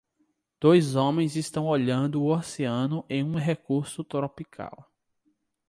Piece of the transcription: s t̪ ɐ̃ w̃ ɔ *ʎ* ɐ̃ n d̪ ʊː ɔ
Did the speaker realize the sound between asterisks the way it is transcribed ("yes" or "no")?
yes